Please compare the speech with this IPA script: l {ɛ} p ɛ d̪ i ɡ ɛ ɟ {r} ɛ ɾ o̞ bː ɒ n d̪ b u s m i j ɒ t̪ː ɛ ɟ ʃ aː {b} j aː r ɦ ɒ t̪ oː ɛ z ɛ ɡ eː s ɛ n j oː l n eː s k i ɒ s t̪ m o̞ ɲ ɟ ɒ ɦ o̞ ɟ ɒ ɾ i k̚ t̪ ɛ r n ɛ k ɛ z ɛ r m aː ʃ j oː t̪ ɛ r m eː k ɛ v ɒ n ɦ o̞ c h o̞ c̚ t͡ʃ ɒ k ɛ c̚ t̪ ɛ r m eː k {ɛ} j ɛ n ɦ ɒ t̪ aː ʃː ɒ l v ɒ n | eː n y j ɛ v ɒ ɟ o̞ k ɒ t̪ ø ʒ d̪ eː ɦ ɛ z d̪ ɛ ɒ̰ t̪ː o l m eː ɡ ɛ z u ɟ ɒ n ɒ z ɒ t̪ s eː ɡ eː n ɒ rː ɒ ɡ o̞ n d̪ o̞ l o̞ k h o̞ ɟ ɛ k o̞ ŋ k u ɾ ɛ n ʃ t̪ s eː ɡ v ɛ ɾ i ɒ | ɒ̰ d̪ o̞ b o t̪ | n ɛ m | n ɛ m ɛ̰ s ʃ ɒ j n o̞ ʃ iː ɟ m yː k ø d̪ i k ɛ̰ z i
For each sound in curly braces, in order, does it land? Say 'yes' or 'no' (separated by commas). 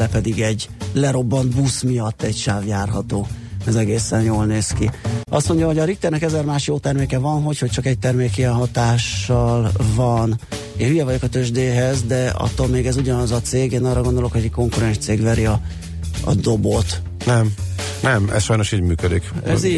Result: yes, no, no, no